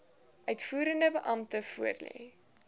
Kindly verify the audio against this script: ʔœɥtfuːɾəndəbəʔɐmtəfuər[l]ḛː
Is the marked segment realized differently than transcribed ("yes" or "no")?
no